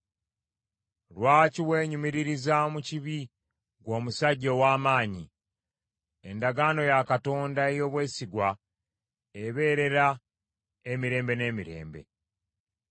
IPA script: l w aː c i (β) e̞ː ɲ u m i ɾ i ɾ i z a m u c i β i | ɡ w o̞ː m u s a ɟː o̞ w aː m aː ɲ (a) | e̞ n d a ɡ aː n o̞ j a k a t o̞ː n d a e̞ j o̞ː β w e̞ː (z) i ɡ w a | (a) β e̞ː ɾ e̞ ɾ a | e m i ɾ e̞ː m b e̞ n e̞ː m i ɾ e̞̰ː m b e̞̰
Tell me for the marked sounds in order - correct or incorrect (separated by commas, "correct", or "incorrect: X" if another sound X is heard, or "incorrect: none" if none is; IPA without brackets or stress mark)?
incorrect: w, incorrect: i, incorrect: s, incorrect: e